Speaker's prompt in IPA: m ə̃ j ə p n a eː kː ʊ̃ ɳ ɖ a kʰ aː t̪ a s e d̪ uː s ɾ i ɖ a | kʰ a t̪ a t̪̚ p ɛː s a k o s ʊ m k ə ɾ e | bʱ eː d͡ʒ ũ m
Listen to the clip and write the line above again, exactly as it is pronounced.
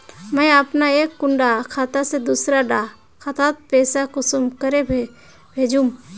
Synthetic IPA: m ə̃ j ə p n a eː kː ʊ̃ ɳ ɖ a kʰ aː t̪ a s e d̪ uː s ɾ a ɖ a | kʰ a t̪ a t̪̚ p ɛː s a k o s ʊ m k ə ɾ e | bʱ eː d͡ʒ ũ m